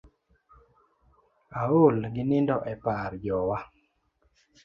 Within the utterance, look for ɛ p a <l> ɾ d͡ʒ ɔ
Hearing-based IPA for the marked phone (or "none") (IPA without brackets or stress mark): none